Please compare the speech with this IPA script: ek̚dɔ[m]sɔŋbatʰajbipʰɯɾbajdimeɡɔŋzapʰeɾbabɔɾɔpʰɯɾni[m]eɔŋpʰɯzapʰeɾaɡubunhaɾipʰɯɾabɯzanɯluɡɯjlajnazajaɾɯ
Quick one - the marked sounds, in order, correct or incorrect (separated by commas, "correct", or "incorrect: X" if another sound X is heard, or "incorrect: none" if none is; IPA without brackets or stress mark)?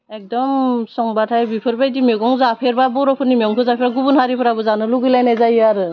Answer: correct, correct